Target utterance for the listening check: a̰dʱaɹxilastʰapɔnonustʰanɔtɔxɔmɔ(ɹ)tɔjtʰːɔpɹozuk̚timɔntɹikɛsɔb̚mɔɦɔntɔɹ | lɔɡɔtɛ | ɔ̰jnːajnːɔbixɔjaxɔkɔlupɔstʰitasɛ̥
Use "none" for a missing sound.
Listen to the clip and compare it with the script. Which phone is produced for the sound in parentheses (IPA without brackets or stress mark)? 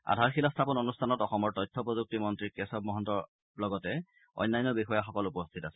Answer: ɹ